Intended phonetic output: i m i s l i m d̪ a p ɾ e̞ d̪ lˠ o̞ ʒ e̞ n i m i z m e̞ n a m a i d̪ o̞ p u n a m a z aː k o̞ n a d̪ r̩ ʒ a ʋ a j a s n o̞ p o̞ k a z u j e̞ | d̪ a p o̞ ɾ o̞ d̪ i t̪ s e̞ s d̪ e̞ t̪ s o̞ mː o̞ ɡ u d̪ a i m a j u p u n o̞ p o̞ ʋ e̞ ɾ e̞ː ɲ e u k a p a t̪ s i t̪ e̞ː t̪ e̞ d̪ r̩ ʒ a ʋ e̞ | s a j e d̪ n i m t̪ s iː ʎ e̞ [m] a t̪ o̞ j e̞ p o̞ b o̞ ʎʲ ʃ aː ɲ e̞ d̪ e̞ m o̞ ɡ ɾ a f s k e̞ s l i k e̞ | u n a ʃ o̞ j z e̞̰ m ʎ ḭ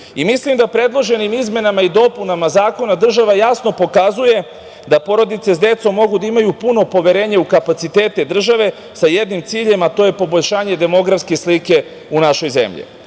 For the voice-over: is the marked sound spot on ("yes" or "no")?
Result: yes